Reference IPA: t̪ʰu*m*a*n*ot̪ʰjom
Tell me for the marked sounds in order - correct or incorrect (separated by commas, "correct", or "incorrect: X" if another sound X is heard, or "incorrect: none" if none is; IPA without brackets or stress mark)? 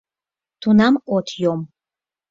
incorrect: n, incorrect: m